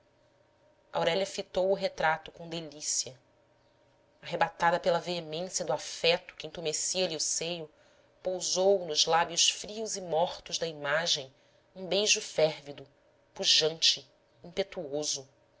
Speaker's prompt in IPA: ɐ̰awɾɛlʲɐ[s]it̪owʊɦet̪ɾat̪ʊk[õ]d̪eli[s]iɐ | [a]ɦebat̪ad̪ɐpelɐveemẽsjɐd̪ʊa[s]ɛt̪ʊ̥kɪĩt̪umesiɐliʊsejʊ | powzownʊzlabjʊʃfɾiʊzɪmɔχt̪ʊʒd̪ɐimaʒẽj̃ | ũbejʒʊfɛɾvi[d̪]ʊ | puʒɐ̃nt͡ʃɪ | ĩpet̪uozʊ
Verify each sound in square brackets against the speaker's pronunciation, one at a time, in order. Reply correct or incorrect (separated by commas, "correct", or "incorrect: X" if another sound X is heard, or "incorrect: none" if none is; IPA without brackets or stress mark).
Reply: incorrect: f, correct, correct, correct, incorrect: f, correct